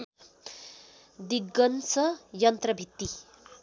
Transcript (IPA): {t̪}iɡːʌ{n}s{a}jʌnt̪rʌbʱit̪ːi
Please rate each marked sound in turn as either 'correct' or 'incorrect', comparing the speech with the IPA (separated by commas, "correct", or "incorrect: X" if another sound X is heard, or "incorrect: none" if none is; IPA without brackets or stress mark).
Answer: incorrect: d̪, correct, incorrect: ʌ